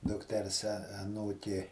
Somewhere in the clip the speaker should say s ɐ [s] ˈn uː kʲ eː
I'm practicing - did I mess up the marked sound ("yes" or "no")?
yes